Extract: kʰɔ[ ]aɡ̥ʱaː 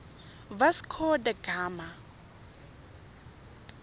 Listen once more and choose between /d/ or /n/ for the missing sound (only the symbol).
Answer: d